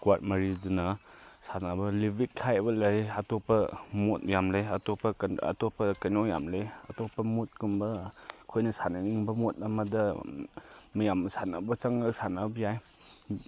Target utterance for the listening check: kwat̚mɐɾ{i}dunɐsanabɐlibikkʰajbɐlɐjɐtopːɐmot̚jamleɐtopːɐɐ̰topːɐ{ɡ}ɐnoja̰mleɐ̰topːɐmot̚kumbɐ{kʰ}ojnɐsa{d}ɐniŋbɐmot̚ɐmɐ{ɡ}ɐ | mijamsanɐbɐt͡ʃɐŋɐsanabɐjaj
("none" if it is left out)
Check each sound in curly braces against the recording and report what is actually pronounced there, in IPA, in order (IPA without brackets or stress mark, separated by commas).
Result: i, k, kʰ, n, d